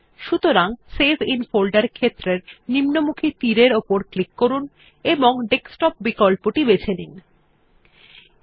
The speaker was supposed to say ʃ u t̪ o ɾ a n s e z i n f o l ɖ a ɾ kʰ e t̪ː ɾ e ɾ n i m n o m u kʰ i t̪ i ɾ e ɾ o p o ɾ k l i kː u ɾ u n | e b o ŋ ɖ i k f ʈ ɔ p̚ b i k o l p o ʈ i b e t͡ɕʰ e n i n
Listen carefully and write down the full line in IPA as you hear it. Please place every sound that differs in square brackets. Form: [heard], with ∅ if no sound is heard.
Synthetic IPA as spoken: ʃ u t̪ o ɾ a [ŋ] s e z i n f o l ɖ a ɾ kʰ e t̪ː ɾ e ɾ n i m n o m u kʰ i t̪ i ɾ e ɾ o p o ɾ k l i kː [o] ɾ u n | e b o ŋ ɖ [e] k [s] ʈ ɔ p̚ b i k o l p o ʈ i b e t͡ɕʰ e n i n